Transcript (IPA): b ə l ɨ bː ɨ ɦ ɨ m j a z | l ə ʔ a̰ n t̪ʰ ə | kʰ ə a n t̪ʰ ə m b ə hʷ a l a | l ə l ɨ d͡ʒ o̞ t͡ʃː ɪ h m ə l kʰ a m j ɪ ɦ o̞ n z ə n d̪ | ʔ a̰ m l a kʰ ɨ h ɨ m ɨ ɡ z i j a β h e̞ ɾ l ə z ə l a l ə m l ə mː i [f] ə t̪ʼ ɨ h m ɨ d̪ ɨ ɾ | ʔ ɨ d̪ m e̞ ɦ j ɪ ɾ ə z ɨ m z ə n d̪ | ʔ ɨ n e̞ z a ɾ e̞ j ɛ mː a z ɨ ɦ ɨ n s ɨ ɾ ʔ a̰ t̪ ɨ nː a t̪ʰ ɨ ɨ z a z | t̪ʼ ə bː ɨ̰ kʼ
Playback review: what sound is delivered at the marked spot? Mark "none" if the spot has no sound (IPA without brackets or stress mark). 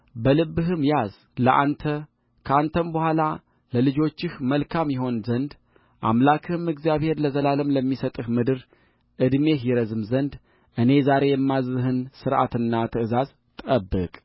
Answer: s